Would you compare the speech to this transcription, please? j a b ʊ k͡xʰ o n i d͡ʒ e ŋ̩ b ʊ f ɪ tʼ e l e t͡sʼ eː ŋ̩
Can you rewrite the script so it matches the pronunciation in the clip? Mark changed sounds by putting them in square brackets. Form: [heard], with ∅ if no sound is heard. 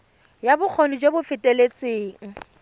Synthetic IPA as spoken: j a b ʊ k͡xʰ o n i d͡ʒ e [∅] b ʊ f ɪ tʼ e l e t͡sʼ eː ŋ̩